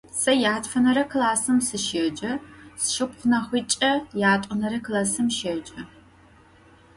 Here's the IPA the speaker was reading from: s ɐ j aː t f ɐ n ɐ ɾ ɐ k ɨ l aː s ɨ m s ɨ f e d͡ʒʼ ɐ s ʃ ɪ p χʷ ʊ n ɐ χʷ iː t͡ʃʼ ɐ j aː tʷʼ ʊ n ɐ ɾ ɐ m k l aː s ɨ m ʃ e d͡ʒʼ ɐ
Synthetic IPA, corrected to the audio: s ɐ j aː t f ɐ n ɐ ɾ ɐ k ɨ l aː s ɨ m s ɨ ʃ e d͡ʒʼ ɐ s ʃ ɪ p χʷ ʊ n ɐ χʷ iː t͡ʃʼ ɐ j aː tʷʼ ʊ n ɐ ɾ ɐ k l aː s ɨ m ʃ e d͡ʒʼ ɐ